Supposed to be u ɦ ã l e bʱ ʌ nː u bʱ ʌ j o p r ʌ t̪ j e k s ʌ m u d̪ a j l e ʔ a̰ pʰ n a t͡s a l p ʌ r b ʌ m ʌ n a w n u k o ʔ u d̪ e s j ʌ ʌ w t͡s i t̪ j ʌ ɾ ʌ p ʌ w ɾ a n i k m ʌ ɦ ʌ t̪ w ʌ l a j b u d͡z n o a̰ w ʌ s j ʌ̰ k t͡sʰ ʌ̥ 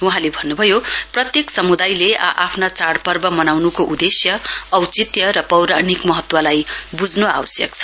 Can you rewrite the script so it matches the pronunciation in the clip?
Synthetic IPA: u ɦ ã l e bʱ ʌ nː u bʱ ʌ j o p r ʌ t̪ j e k s ʌ m u d̪ a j l e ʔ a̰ pʰ n a t͡s a ɽ p ʌ r b ʌ m ʌ n a w n u k o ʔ u d̪ e s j ʌ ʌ w t͡s i t̪ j ʌ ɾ ʌ p ʌ w ɾ a n i k m ʌ ɦ ʌ t̪ w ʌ l a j b u d͡z n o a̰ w ʌ s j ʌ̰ k t͡sʰ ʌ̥